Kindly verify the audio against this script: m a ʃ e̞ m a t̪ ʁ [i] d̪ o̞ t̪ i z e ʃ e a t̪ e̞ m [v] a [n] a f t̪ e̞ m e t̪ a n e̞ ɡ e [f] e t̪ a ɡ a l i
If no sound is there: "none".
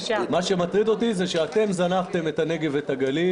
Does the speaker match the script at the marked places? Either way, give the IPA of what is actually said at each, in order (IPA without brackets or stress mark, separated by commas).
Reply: i, z, n, v